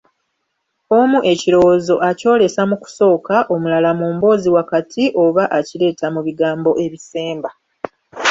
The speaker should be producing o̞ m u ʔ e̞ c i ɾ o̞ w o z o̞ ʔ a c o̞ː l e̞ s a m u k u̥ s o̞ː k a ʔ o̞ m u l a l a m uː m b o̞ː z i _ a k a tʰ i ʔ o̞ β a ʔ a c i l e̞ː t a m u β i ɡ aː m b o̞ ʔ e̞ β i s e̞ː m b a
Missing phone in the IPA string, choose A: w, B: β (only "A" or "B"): A